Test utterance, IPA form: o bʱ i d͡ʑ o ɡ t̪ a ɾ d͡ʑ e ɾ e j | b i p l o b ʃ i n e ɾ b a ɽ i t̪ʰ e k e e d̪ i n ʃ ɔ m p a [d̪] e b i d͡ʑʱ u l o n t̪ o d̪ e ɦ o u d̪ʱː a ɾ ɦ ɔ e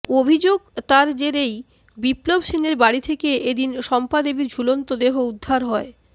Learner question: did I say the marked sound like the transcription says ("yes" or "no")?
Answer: yes